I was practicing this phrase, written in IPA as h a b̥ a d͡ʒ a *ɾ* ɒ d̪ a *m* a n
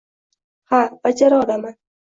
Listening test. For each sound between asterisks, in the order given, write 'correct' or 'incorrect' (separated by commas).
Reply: correct, correct